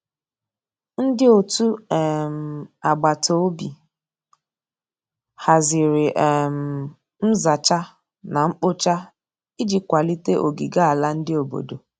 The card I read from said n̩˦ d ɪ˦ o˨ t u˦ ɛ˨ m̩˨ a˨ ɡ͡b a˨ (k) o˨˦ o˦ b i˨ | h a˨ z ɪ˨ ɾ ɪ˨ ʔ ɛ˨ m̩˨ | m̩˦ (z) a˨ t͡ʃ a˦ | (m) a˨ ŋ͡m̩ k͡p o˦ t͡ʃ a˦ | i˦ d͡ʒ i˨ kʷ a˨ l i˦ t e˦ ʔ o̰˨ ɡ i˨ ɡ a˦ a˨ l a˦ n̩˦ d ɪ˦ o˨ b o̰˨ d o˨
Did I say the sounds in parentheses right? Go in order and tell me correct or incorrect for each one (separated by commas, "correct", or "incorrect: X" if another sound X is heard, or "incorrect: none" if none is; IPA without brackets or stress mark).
incorrect: t, correct, incorrect: n